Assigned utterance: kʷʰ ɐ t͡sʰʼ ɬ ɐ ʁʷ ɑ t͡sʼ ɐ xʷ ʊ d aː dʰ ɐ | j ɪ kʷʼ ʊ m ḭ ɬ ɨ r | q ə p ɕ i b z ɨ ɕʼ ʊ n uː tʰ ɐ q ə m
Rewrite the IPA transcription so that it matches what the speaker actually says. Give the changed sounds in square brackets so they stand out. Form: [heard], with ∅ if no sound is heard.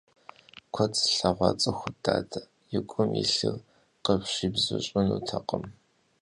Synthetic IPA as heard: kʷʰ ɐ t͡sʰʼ ɬ ɐ ʁʷ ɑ t͡sʼ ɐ xʷ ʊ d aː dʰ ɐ | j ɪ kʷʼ ʊ m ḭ ɬ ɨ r | q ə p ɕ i b z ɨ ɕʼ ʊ n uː tʰ ɐ q ə m